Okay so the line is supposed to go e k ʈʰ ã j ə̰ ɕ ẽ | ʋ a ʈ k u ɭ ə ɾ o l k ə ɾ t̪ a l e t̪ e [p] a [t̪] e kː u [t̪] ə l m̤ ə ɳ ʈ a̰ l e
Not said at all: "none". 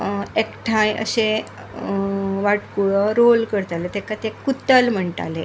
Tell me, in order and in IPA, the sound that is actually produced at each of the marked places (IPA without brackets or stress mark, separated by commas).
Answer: k, t̪, t̪